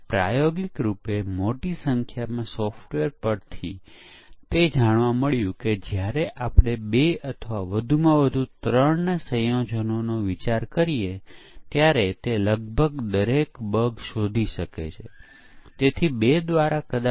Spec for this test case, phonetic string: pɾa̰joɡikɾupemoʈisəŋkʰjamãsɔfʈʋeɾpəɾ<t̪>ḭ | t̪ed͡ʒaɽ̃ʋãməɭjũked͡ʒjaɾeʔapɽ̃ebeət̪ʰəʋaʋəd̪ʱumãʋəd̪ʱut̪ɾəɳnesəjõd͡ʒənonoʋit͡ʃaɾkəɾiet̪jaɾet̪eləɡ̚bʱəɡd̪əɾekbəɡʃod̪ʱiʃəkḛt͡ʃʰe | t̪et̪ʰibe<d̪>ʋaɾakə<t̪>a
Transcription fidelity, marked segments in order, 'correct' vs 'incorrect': incorrect, correct, incorrect

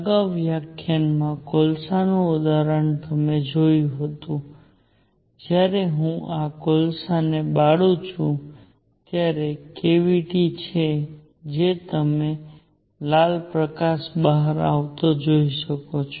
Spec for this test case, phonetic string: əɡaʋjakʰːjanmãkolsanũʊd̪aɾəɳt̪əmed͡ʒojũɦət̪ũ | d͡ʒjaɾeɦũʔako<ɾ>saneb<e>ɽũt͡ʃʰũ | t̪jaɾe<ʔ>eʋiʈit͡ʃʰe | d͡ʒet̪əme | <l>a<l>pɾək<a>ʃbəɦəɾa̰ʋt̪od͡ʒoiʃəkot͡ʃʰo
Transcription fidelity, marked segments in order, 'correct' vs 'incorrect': incorrect, incorrect, incorrect, correct, correct, correct

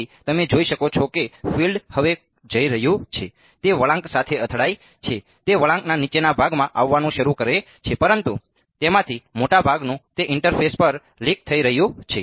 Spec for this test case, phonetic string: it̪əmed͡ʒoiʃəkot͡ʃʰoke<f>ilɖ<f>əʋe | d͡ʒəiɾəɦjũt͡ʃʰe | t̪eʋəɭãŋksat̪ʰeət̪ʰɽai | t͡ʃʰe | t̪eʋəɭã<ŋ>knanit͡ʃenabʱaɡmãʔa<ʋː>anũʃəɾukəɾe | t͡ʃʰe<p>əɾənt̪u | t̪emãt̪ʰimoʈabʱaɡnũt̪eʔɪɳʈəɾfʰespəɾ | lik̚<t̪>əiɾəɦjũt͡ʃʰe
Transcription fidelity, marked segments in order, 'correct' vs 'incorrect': correct, incorrect, correct, correct, correct, incorrect

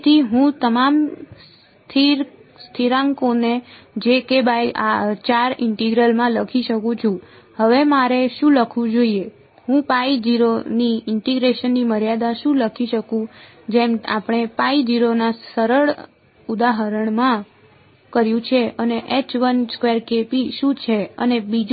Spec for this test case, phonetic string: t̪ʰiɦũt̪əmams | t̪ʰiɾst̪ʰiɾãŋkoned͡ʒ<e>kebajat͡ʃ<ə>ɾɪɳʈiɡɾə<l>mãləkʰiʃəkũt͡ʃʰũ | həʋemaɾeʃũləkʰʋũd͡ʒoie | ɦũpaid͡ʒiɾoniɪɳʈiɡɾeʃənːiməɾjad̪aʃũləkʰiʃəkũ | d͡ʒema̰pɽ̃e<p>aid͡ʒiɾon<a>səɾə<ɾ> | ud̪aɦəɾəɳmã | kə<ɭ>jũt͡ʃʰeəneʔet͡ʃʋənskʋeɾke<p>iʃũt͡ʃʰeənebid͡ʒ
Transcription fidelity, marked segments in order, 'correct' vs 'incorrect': correct, incorrect, correct, correct, correct, incorrect, incorrect, correct

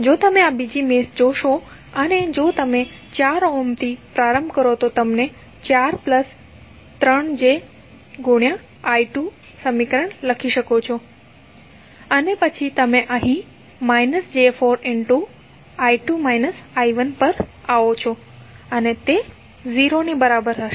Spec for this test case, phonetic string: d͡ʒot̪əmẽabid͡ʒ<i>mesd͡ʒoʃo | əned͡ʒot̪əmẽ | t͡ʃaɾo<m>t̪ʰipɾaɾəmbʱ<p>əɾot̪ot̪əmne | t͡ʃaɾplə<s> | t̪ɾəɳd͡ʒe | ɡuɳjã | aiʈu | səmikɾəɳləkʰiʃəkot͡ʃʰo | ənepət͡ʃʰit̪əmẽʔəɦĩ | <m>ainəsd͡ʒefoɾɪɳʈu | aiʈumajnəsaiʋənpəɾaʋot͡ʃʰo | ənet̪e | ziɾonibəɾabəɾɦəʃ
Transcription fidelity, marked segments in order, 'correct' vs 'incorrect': correct, correct, incorrect, correct, correct

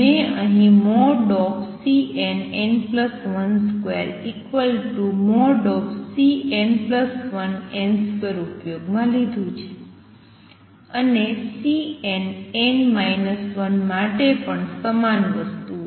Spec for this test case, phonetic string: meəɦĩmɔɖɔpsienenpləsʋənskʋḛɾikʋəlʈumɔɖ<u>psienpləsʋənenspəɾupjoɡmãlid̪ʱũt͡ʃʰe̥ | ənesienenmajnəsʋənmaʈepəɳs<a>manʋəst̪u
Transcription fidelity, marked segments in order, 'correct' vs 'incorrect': incorrect, incorrect

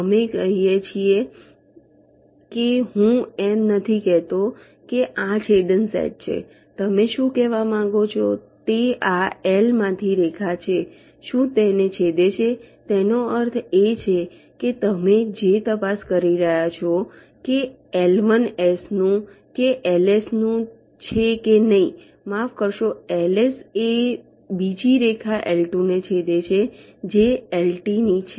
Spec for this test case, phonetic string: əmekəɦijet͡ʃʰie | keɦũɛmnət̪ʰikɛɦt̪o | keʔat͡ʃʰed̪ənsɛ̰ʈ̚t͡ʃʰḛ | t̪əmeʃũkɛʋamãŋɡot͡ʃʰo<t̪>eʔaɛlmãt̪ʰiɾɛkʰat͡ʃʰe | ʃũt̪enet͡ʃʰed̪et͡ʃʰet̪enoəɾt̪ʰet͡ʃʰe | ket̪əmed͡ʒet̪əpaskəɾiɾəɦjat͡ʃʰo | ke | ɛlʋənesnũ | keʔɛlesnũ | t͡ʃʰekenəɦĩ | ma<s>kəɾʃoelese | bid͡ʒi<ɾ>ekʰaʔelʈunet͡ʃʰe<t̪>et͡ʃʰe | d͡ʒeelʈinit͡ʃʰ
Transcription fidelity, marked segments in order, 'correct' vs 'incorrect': correct, incorrect, correct, incorrect

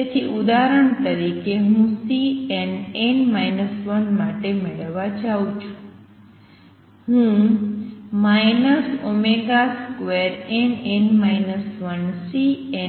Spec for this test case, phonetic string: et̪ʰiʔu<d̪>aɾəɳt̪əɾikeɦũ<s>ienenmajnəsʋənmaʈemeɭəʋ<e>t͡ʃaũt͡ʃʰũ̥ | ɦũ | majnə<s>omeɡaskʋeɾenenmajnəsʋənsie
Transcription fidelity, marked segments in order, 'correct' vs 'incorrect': correct, correct, incorrect, correct

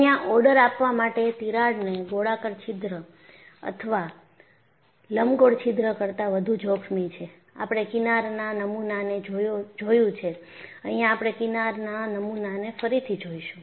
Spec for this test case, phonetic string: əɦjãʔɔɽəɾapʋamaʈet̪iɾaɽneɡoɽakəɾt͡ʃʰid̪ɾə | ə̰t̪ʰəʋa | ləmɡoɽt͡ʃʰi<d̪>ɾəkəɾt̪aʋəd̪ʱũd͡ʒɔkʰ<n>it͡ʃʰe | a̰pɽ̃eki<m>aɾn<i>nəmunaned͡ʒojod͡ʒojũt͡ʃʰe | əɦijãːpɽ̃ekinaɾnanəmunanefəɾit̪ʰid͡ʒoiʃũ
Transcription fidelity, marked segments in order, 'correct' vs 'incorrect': correct, incorrect, incorrect, incorrect

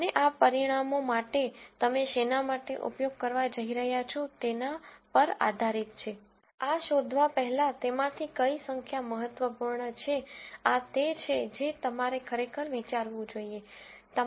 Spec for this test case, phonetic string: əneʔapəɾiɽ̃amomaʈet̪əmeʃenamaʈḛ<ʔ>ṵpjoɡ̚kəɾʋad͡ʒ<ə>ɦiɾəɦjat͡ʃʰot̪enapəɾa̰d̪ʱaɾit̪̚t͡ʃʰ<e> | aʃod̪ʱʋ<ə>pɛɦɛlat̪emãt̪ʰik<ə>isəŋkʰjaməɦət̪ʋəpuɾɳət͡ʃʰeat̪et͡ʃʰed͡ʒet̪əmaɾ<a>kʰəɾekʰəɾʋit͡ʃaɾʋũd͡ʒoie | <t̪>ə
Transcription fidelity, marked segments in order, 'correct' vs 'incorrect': correct, correct, correct, incorrect, correct, incorrect, correct

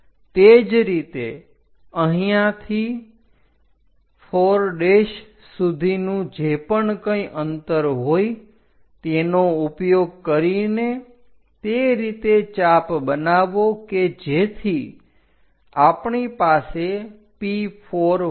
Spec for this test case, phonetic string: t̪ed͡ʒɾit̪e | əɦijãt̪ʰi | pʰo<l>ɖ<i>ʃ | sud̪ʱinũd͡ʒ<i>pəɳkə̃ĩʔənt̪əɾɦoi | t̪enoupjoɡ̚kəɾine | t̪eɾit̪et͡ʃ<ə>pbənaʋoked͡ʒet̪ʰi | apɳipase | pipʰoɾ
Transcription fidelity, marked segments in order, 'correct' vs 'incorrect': incorrect, incorrect, incorrect, incorrect

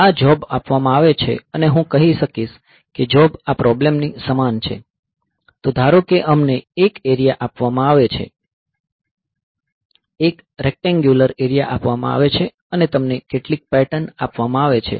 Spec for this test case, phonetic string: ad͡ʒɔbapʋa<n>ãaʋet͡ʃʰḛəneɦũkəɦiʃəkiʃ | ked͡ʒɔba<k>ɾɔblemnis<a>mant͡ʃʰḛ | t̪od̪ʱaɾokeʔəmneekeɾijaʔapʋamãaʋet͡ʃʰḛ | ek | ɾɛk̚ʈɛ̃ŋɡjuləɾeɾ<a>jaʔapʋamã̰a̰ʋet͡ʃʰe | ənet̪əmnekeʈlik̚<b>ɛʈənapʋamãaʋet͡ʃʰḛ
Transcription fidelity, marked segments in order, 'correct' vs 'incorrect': incorrect, incorrect, incorrect, incorrect, incorrect

